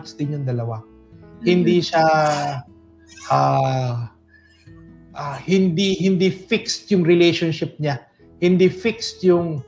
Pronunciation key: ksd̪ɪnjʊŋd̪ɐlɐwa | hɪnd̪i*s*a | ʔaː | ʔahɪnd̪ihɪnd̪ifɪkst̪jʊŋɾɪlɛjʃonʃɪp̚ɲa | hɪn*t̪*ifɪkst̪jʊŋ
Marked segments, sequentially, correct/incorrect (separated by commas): incorrect, incorrect